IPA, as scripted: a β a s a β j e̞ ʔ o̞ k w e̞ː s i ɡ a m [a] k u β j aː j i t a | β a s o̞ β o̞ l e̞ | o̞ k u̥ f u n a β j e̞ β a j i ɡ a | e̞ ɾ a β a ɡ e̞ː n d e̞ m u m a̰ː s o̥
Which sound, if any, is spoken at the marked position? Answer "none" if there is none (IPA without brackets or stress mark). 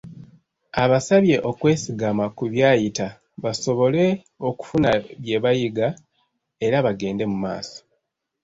a